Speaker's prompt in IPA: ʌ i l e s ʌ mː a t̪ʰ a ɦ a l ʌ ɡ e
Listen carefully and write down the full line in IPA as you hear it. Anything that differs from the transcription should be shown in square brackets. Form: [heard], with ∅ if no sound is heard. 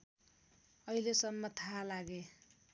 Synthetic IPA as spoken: ʌ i l e s ʌ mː [ʌ] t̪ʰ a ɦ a l [a] ɡ e